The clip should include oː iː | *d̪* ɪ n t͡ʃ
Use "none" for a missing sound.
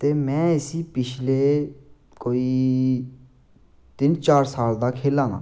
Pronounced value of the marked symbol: t̪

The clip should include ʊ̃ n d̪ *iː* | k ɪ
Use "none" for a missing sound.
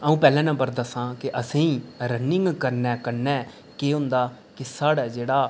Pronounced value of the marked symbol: aː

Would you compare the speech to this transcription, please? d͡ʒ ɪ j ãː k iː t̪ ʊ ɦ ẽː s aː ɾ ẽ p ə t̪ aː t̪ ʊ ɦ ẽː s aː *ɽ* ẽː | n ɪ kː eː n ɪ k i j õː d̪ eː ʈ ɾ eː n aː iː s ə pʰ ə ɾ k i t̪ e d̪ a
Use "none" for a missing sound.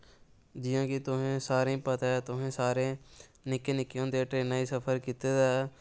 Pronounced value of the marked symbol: ɾ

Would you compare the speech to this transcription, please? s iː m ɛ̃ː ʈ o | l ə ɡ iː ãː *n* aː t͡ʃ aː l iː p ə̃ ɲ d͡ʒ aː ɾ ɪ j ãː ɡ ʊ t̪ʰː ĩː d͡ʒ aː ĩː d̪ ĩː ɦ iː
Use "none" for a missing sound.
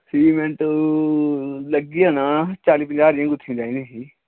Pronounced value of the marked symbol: n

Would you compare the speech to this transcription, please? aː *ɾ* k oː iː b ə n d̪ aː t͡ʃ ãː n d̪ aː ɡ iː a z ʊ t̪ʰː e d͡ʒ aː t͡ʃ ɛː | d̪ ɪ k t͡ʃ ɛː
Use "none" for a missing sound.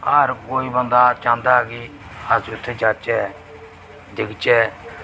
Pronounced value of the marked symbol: ɾ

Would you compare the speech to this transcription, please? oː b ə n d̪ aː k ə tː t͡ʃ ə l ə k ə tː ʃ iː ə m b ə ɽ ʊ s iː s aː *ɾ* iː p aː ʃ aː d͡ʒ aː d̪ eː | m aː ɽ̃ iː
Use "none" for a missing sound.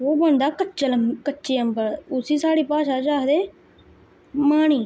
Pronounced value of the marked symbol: ɽ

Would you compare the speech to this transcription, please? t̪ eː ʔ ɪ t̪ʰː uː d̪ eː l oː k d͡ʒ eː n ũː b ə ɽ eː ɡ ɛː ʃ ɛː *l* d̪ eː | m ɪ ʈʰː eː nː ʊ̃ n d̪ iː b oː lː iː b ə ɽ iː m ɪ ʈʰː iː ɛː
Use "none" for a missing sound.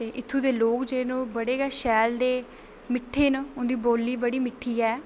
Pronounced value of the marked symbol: l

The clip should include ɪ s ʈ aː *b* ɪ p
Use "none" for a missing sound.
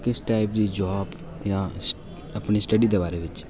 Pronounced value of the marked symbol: none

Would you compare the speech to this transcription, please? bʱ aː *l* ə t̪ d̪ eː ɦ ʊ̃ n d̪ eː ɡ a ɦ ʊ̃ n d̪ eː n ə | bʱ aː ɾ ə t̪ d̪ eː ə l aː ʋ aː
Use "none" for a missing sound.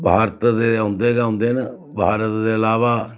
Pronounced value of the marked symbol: ɾ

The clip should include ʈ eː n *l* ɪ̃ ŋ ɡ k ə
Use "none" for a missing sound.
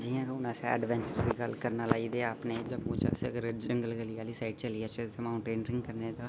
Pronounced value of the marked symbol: ɾ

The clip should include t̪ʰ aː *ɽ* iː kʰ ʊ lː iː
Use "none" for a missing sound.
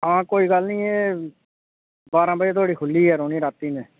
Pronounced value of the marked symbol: ɽ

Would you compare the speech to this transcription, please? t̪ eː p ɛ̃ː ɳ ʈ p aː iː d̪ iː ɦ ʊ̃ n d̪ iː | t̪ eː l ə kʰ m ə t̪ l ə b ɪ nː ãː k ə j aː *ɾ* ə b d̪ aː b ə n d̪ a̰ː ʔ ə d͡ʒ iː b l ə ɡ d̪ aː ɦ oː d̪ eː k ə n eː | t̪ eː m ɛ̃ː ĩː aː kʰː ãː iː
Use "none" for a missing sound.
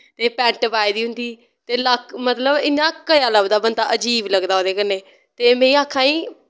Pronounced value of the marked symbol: l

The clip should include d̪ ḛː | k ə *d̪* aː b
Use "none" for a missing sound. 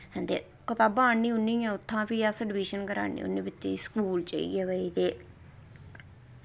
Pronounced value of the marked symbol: t̪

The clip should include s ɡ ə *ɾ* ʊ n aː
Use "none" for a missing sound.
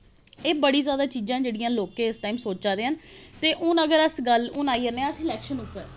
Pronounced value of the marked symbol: l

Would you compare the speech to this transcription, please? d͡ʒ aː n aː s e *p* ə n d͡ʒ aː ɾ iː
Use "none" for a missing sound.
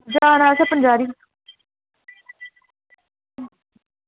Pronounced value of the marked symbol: p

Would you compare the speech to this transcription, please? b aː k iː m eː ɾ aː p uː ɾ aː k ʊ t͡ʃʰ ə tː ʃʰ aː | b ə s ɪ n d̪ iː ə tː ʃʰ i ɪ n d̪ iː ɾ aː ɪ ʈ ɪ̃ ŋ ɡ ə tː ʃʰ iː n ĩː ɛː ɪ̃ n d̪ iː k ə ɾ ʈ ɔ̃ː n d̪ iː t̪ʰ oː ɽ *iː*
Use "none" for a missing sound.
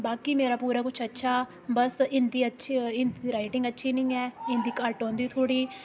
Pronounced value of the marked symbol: iː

